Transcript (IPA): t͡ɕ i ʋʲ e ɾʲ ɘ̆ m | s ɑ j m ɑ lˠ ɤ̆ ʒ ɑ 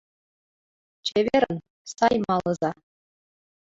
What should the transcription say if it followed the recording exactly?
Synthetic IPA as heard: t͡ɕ e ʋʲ e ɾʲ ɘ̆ n | s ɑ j m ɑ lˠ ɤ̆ z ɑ

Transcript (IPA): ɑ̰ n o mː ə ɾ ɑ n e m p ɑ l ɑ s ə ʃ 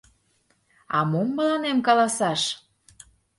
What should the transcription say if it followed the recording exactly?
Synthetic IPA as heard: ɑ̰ m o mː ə l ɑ n e m k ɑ l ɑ s ɑ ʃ

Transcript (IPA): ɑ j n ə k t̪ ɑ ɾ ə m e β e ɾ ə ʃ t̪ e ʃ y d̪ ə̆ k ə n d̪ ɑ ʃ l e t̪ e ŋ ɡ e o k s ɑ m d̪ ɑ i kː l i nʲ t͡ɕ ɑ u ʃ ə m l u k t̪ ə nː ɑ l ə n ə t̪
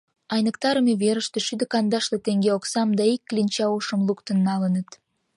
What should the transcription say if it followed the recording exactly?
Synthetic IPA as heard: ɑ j n ə k t̪ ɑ ɾ ə m e β e ɾ ə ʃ t̪ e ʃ y d̪ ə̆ k ɑ n d̪ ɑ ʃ l e t̪ e ŋ ɡ e o k s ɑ m d̪ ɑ i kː l i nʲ t͡ɕ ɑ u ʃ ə m l u k t̪ ə nː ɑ l ə n ə t̪

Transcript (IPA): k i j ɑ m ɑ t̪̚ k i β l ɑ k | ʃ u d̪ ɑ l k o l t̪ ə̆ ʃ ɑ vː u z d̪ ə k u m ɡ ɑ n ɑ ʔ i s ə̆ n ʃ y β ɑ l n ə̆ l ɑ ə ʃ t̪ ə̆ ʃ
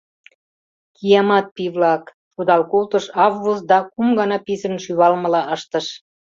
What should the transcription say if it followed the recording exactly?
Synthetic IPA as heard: k i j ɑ m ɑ t̪̚ p i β l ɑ k | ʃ u d̪ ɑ l k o l t̪ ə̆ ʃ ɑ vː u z d̪ ɑ k u m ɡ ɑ n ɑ p i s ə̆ n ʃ y β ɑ l m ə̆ l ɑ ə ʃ t̪ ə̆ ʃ

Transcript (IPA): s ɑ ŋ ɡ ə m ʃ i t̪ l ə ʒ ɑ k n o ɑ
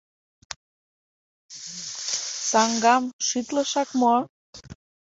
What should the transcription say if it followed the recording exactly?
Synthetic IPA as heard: s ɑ ŋ ɡ ɑ m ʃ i t̪ l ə ʃ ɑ k m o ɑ

